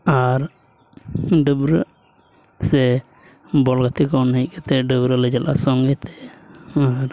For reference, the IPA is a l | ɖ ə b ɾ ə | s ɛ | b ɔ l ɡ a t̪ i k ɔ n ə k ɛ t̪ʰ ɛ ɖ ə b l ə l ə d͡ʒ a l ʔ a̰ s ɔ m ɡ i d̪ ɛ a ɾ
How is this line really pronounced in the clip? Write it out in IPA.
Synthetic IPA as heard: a ɾ | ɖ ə b ɾ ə | s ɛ | b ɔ l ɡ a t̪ i k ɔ n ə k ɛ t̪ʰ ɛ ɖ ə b ɾ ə l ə d͡ʒ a l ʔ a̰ s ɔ ŋ ɡ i t̪ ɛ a ɾ